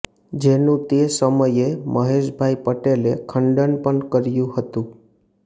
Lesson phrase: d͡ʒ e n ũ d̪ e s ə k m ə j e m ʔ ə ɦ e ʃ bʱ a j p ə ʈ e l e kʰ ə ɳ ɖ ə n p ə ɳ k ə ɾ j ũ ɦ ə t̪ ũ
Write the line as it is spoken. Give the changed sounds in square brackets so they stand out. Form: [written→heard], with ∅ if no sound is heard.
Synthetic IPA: d͡ʒ e n ũ [d̪→t̪] e s ə [k→∅] m ə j e m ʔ ə ɦ e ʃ bʱ a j p ə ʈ e l e kʰ ə ɳ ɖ ə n p ə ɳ k ə ɾ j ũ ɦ ə t̪ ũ